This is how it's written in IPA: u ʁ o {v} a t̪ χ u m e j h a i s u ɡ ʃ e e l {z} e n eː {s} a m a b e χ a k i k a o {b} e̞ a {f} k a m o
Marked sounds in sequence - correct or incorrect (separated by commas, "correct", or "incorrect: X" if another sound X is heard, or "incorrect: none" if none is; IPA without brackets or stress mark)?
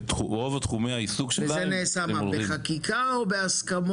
correct, correct, correct, correct, incorrect: s